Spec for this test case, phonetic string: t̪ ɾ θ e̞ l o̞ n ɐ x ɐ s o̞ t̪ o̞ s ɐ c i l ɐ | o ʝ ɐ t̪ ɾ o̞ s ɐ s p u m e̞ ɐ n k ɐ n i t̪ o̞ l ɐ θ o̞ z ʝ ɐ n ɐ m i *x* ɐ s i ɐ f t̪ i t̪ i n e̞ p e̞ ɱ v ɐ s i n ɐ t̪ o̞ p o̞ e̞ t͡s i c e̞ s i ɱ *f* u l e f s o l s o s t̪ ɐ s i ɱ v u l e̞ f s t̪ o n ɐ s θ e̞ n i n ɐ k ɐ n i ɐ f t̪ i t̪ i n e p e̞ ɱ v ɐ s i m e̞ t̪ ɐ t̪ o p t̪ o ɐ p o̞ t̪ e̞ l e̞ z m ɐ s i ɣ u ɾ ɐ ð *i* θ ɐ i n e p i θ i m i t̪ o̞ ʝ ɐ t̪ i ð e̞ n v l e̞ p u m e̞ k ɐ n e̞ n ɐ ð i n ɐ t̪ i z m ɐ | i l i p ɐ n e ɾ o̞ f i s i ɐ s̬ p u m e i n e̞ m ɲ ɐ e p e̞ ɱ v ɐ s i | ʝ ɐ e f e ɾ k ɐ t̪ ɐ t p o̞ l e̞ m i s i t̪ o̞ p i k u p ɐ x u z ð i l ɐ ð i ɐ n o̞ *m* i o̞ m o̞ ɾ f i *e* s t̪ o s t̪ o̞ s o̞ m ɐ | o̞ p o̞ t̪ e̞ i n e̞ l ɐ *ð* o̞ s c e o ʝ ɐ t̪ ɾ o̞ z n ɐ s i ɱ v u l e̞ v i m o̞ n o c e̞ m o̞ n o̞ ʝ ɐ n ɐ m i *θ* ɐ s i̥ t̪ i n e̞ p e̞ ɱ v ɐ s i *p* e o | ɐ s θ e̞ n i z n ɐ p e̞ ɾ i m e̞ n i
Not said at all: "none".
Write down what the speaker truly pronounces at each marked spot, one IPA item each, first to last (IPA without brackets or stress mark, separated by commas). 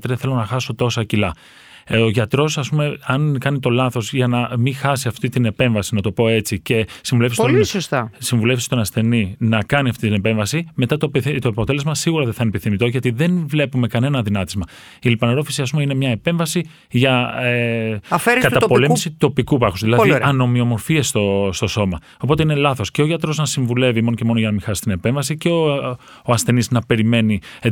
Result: x, v, e, m, e, θ, x, c